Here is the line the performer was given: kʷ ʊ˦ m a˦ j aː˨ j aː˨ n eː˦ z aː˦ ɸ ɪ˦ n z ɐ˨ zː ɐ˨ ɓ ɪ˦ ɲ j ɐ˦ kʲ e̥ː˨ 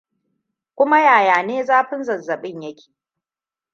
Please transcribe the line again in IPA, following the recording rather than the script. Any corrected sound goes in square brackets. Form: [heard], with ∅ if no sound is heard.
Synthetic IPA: kʷ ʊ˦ m a˦ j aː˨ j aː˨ n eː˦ z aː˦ ɸ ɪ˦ n z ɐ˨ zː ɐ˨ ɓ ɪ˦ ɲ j ɐ˦ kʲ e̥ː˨